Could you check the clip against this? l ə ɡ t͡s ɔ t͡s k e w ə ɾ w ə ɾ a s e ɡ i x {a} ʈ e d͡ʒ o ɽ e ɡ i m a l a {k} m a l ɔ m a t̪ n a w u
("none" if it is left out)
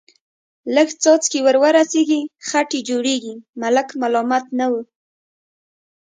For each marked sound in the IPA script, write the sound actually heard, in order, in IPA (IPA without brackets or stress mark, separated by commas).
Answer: a, k